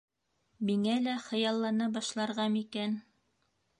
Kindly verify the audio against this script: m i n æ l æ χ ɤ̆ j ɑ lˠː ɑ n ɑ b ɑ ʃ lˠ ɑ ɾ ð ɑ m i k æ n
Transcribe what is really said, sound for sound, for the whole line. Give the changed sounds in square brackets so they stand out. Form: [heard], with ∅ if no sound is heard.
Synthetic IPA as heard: m i [ŋ] æ l æ χ ɤ̆ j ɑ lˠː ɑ n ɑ b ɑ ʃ lˠ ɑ ɾ [ʁ] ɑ m i k æ n